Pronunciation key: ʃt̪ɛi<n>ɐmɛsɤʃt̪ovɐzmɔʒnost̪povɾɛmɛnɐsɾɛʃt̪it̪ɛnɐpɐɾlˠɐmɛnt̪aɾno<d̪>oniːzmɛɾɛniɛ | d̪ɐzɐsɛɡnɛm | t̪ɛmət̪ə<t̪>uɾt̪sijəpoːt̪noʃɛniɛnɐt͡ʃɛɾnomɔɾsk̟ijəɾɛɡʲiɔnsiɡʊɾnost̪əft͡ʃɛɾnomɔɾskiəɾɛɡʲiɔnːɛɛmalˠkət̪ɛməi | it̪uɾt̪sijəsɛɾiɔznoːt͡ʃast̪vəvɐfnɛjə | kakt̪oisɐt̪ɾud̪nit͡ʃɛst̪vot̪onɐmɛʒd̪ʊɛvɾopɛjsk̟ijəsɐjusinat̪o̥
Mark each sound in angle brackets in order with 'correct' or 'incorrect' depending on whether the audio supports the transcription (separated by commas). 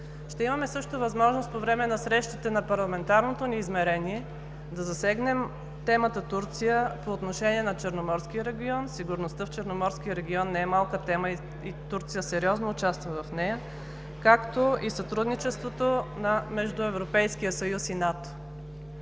incorrect, incorrect, correct